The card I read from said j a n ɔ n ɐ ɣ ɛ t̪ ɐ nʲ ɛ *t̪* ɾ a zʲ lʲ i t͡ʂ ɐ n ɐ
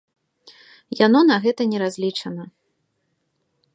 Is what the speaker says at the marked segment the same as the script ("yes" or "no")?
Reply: no